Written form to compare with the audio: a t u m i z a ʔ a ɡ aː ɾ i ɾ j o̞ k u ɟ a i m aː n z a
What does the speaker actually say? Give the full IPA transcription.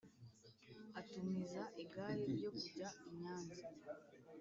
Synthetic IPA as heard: a t u m i z a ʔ i ɡ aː ɾ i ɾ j o̞ k u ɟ a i ɲ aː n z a